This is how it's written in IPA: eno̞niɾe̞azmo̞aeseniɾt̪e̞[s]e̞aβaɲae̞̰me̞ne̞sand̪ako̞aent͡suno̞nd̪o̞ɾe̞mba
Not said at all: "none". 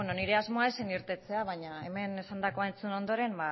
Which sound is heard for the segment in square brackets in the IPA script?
t͡s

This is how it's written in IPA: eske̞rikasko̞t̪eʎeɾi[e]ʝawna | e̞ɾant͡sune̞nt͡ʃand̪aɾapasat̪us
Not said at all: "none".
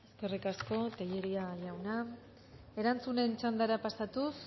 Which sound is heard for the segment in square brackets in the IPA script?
a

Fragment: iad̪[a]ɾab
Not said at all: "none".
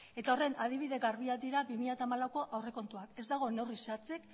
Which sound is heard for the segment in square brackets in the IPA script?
i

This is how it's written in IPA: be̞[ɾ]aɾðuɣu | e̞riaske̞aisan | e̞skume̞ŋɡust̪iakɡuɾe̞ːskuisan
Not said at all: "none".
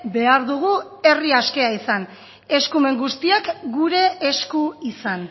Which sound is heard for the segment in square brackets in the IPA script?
none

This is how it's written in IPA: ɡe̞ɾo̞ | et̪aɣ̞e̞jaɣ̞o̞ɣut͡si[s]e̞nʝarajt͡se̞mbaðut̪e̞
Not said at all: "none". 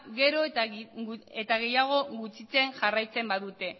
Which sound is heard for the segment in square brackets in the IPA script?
t͡s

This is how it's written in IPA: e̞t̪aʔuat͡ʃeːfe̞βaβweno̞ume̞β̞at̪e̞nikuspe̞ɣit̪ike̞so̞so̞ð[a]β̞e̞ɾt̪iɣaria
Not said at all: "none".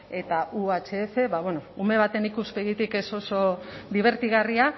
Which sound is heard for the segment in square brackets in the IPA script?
i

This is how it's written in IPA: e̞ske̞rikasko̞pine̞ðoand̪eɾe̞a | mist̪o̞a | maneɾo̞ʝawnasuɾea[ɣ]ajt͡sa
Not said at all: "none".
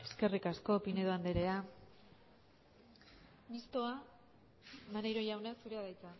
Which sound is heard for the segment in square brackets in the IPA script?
ð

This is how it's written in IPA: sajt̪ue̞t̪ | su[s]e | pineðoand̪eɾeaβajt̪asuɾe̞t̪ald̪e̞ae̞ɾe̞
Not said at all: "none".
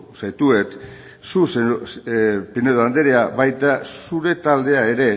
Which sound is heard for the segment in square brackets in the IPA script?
s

